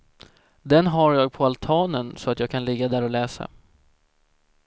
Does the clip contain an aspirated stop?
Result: yes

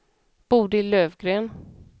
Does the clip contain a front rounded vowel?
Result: yes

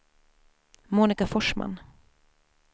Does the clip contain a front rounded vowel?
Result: no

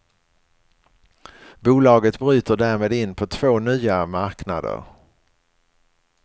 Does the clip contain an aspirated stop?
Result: yes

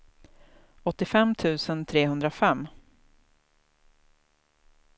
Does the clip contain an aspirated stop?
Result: yes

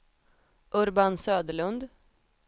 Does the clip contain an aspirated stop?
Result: no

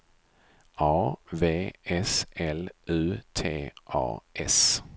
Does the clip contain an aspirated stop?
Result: yes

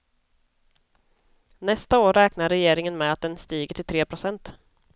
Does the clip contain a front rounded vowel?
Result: no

